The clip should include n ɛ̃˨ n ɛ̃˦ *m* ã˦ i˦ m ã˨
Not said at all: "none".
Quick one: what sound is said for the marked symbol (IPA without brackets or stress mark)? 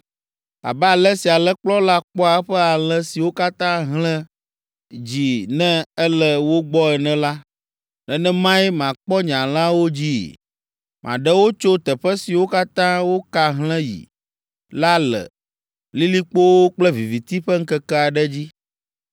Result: m